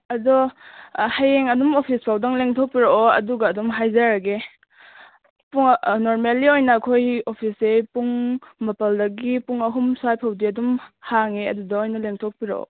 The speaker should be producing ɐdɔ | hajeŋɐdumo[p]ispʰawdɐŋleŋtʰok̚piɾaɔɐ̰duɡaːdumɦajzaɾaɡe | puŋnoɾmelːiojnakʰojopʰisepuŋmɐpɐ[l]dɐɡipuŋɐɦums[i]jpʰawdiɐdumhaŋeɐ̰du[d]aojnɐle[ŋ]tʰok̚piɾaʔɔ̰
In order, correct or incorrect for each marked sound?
incorrect, correct, incorrect, correct, correct

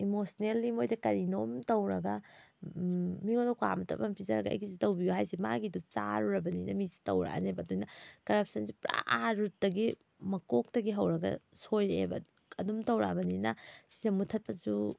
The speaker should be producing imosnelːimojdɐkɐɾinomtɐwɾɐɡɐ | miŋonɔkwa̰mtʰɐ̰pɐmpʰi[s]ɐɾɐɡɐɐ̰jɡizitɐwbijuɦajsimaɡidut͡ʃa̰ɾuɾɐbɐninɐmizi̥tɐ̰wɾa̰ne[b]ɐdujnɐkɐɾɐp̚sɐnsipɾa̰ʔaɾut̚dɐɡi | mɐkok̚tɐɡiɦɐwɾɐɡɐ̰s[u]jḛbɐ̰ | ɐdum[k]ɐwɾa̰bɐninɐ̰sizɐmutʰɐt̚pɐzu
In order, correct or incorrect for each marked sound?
incorrect, correct, incorrect, incorrect

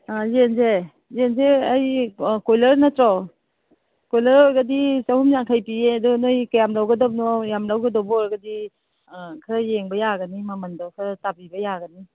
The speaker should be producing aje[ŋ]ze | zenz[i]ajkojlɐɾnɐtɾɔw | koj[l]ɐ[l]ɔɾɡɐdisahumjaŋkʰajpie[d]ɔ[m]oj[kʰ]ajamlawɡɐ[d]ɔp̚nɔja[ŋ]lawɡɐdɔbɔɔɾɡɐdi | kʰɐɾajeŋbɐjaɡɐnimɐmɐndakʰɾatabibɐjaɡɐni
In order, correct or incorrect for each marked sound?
incorrect, incorrect, correct, incorrect, correct, incorrect, incorrect, correct, incorrect

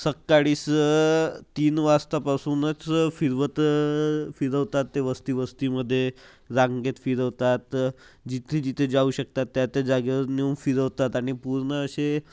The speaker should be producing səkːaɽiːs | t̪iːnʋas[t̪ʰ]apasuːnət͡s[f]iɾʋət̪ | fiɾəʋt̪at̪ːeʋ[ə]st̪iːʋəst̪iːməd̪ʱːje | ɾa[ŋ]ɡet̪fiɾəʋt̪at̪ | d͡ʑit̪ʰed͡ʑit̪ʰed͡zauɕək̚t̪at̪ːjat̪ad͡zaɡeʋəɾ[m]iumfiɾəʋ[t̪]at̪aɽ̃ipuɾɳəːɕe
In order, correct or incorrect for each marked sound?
incorrect, correct, correct, correct, incorrect, correct

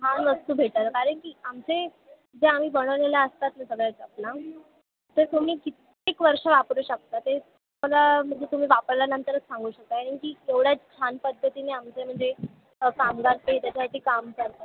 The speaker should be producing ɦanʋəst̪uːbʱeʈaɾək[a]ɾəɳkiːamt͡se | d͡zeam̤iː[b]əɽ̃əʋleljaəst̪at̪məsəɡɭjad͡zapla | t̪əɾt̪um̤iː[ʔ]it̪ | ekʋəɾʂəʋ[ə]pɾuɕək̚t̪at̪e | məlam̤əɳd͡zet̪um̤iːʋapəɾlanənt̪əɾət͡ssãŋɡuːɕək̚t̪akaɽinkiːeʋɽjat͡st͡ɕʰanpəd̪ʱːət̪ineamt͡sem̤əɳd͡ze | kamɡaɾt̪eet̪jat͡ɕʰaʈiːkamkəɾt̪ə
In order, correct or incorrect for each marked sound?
correct, correct, incorrect, incorrect

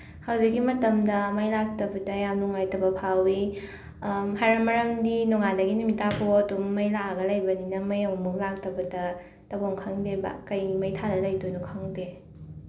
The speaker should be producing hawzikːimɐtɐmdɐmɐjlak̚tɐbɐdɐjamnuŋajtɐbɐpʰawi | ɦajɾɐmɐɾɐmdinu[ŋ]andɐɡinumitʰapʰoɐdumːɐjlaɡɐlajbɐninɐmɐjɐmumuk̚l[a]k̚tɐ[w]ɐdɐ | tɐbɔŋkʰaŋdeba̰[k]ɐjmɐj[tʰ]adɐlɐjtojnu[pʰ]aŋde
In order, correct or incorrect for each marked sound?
correct, correct, incorrect, correct, correct, incorrect

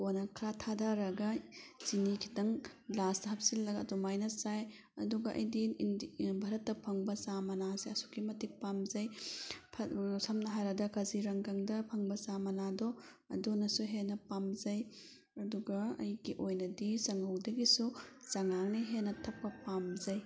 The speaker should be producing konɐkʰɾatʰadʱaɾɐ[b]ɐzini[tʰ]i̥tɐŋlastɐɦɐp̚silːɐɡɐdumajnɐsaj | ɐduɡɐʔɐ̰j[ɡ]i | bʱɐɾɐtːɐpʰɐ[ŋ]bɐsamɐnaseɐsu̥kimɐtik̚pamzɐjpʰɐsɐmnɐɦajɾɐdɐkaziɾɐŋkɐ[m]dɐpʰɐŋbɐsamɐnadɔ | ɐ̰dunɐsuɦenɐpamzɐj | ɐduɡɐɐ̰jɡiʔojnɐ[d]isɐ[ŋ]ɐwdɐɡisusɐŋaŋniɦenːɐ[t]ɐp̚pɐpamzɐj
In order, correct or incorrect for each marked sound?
incorrect, incorrect, incorrect, correct, incorrect, correct, correct, incorrect

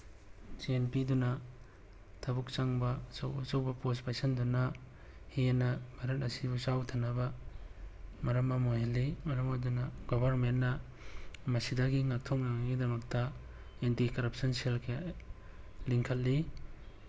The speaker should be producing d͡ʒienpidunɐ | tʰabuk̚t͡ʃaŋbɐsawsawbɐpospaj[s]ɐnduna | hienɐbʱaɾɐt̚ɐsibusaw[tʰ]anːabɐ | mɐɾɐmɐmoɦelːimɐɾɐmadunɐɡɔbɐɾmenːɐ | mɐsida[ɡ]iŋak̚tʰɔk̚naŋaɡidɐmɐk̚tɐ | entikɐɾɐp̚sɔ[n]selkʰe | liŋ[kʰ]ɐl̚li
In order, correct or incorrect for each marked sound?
correct, correct, correct, correct, correct

